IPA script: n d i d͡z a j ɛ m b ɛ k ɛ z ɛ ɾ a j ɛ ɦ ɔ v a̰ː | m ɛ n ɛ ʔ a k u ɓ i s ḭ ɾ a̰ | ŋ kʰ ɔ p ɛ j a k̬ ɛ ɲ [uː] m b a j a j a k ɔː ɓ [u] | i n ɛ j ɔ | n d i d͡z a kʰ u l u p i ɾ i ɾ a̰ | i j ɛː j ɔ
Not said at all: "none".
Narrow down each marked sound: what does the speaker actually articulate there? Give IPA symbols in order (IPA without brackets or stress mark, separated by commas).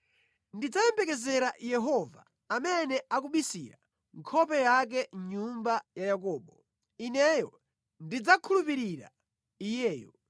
u, ɔ